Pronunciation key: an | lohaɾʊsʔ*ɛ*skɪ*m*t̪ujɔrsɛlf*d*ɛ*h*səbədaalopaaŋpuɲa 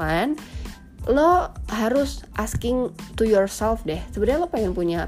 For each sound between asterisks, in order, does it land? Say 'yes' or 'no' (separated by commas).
no, no, yes, yes